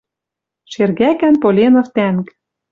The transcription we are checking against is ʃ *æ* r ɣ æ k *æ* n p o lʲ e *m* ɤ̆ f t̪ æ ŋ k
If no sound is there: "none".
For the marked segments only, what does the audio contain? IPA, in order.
e, æ, n

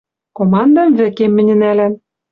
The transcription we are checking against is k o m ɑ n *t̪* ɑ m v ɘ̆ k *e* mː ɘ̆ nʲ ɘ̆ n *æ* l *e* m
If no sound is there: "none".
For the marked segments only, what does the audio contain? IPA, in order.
d̪, e, æ, æ

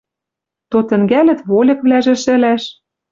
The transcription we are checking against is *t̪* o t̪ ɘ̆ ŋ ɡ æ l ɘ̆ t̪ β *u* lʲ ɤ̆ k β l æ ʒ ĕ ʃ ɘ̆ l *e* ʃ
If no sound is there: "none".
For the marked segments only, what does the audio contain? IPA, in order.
t̪, o, æ

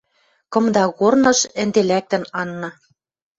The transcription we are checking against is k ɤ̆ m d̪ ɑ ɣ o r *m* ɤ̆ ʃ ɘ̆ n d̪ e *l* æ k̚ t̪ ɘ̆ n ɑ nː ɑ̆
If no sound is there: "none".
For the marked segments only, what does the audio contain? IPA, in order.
n, l

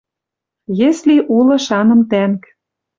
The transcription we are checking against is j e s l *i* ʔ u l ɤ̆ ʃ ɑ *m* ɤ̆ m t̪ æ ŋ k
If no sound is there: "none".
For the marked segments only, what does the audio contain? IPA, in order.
i, n

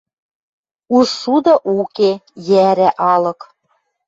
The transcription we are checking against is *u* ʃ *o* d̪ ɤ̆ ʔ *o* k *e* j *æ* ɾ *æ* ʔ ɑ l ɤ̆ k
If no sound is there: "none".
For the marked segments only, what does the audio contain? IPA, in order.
u, u, u, e, æ, æ

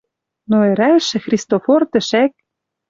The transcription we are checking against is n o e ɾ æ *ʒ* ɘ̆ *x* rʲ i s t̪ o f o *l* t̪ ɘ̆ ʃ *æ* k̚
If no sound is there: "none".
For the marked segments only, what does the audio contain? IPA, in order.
ʃ, x, r, æ

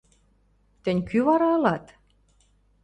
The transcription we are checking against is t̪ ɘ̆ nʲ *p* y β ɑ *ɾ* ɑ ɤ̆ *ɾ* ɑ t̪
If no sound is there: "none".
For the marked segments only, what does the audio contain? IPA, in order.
k, ɾ, l

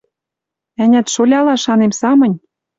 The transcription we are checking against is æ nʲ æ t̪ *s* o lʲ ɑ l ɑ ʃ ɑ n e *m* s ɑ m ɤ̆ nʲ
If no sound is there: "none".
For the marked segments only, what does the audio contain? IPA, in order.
ʃ, m

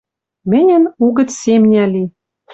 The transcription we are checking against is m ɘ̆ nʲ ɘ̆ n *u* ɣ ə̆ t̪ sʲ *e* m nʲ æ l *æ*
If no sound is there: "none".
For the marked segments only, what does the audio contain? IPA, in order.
u, e, i

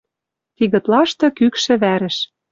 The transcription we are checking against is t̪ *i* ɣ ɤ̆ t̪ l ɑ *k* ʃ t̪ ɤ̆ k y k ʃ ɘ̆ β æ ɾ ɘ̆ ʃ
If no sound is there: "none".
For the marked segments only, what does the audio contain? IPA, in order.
i, none

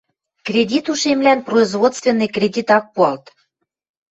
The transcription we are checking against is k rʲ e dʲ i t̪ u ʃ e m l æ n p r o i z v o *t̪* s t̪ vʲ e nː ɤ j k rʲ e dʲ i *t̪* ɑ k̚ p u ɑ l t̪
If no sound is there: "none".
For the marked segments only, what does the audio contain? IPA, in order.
t̪, t̪

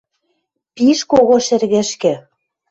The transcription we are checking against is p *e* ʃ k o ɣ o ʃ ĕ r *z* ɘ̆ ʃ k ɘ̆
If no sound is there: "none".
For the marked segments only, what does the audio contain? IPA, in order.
i, ɣ

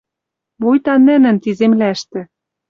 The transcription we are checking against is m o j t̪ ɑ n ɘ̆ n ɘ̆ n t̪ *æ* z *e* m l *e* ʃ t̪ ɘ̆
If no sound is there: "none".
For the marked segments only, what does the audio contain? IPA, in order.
i, e, æ

